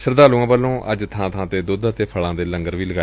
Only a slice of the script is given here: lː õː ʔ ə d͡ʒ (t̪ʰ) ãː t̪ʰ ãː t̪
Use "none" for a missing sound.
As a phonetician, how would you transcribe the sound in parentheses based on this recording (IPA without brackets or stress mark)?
t̪ʰ